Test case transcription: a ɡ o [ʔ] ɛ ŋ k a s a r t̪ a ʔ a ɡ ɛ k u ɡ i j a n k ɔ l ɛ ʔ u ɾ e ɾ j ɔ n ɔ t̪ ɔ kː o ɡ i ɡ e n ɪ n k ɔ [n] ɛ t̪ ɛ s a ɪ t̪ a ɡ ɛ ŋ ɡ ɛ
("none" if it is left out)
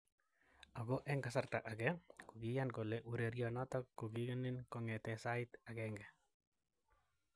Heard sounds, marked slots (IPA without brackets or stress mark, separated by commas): ʔ, ŋ